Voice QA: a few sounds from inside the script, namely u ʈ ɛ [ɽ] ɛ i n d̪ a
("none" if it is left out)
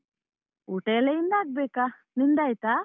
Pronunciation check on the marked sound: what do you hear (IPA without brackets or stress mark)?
l